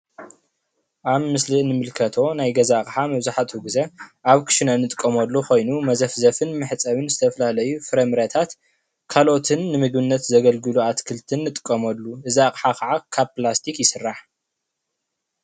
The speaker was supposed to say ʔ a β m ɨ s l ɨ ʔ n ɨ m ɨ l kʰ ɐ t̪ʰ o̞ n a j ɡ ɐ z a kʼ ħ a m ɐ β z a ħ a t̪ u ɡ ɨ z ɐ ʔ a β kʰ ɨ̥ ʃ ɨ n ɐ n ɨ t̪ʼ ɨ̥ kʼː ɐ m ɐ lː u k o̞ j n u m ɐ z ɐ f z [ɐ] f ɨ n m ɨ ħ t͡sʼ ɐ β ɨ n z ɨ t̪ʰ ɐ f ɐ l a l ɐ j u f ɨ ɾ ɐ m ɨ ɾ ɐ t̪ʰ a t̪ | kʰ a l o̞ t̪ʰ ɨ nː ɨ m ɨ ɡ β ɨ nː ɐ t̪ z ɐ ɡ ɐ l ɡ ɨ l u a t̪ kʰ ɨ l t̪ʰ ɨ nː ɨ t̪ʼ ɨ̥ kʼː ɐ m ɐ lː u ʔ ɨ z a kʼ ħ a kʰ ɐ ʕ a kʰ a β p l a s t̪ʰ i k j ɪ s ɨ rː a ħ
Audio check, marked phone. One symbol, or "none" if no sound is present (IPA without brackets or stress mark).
ɐ